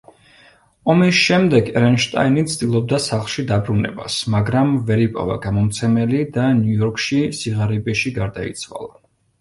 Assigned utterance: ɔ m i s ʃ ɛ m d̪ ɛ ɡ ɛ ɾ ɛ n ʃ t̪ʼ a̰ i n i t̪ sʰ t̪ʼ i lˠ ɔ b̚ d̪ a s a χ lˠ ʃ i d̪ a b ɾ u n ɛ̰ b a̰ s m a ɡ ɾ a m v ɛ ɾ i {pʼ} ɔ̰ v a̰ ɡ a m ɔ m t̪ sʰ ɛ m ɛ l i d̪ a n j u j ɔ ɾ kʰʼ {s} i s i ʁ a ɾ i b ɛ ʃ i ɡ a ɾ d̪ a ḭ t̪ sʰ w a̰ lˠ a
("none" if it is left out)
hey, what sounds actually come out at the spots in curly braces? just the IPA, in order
pʼ, ʃ

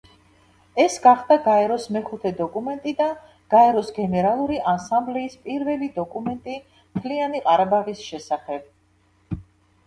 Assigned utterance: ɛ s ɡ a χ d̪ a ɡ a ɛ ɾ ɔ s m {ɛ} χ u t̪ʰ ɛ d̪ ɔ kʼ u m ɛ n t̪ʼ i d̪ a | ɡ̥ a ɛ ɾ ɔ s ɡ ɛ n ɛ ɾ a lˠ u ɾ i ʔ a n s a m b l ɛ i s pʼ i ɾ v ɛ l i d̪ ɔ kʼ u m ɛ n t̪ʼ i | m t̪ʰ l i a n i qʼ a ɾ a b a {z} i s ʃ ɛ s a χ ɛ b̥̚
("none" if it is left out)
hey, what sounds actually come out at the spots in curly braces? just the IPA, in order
ɛ, ʁ

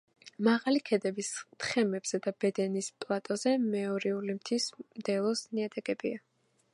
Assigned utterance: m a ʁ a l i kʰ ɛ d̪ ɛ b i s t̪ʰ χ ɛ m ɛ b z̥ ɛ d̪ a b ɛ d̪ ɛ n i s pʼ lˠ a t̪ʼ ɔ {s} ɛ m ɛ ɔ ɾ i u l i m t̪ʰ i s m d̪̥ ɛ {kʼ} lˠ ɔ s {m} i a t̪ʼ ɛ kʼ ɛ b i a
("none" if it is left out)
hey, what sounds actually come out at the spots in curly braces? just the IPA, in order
z, none, n

